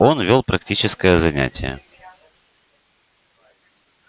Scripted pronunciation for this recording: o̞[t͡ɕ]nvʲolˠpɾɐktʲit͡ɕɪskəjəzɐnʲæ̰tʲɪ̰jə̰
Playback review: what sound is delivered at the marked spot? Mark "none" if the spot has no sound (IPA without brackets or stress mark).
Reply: none